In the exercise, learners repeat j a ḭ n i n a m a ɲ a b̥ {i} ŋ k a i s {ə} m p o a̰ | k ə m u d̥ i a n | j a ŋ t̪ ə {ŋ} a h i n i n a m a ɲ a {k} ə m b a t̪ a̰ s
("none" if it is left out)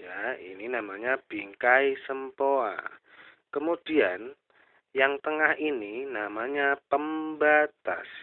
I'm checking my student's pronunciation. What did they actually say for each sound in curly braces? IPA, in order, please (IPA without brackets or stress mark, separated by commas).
i, ə, ŋ, p